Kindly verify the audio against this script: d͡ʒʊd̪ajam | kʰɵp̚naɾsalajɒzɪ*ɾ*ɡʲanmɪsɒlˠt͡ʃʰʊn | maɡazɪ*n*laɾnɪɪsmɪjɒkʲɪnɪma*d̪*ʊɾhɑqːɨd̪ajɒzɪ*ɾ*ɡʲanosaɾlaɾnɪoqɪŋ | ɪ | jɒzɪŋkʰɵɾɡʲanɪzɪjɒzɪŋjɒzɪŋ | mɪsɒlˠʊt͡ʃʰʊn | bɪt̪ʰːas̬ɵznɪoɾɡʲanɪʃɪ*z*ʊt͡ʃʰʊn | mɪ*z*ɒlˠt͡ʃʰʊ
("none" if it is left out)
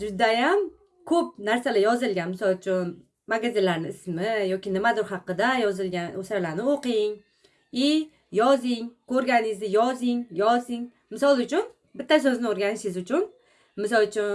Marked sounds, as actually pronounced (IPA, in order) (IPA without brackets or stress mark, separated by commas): l, n, d̪, l, z, s